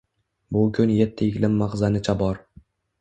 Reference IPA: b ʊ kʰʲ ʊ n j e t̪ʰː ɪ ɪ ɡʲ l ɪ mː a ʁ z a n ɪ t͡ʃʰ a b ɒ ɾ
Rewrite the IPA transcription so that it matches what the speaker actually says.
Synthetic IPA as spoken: b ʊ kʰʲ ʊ n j e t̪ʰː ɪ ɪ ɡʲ l ɪ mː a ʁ z a n ɪ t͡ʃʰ a b ɒ ɾ